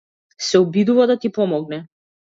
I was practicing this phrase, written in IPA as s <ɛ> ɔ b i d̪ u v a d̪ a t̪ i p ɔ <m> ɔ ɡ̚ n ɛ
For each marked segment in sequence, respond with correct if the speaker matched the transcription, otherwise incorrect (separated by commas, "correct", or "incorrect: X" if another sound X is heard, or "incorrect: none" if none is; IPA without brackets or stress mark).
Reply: correct, correct